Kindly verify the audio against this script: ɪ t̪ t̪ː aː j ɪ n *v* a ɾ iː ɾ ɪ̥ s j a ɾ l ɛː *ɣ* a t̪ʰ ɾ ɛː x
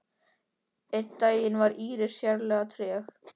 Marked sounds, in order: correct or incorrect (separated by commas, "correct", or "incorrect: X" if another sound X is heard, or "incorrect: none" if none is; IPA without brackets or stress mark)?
correct, correct